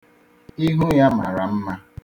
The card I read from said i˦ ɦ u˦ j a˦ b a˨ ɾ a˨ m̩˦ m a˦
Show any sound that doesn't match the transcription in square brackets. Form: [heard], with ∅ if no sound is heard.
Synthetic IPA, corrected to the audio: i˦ ɦ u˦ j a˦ [m] a˨ ɾ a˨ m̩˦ m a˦